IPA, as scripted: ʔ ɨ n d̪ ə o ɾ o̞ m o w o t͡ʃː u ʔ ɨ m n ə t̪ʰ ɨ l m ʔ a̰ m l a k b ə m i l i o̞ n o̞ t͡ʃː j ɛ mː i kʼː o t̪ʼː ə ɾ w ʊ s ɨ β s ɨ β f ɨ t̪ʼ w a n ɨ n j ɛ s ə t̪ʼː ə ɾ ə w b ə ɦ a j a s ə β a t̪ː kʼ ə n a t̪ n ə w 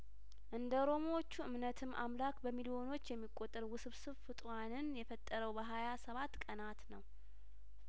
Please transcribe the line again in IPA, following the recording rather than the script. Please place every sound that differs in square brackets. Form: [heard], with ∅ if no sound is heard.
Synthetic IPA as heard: ʔ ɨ n d̪ ə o ɾ o̞ m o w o t͡ʃː u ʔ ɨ m n ə t̪ʰ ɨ [∅] m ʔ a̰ m l a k b ə m i l i o̞ n o̞ t͡ʃː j ɛ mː i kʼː o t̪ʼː ə ɾ w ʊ s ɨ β s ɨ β f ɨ t̪ʼ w a n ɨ n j ɛ [f] ə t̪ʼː ə ɾ ə w b ə ɦ a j a s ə β a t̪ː kʼ ə n a t̪ n ə w